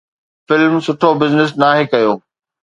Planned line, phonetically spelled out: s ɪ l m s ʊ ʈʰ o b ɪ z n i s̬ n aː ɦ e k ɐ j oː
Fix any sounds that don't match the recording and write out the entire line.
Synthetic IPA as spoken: f ɪ l m s ʊ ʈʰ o b ɪ z n ɪ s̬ n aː ɦ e k ɐ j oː